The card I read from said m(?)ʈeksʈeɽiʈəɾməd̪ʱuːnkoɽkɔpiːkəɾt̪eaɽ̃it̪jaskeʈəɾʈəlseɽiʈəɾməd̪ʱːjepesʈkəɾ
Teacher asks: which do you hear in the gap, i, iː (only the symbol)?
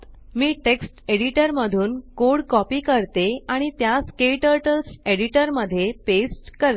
iː